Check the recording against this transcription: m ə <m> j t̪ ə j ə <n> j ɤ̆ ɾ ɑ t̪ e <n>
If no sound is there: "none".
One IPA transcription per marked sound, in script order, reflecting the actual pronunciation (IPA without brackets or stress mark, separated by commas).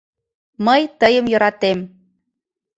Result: none, m, m